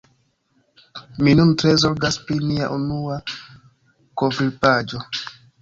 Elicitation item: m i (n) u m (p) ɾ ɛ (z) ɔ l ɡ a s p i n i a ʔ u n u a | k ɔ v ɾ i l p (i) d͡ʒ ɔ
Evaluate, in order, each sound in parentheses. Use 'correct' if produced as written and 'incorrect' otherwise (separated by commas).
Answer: correct, incorrect, correct, incorrect